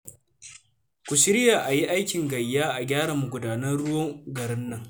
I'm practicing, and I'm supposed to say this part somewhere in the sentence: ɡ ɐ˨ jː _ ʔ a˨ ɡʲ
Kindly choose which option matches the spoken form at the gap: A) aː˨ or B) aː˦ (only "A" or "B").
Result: B